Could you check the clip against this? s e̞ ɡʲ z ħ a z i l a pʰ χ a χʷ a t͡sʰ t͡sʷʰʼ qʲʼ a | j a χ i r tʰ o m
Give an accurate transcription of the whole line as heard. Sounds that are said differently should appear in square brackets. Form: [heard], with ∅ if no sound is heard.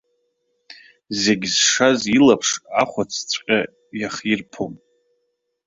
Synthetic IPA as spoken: [z] e̞ ɡʲ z [ʂ] a z i l a pʰ [ʂ] a χʷ a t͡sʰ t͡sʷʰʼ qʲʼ a | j a χ i r [pʰ] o m